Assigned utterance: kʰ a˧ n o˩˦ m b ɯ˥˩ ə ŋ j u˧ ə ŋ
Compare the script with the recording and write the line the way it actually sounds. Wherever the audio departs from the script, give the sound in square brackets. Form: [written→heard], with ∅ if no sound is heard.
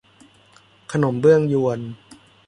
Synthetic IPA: kʰ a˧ n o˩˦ m b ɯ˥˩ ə ŋ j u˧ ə [ŋ→n]